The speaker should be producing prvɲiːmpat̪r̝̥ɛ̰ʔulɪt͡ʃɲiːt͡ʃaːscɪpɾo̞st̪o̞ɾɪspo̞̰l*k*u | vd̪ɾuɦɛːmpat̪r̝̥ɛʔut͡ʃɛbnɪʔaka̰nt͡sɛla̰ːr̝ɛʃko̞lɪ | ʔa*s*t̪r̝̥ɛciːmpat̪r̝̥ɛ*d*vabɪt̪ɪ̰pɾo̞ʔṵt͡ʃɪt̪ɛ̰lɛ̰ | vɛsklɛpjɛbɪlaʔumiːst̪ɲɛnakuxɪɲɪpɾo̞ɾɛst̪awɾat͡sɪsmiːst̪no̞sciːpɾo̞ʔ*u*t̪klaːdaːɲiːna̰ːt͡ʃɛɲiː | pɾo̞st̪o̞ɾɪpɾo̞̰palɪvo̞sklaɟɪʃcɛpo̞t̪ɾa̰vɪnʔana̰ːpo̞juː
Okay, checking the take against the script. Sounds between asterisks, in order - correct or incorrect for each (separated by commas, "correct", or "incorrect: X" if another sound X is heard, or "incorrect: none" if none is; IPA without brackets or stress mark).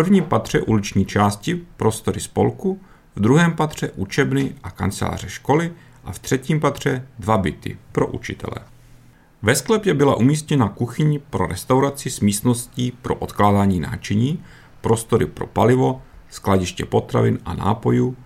correct, incorrect: f, correct, incorrect: o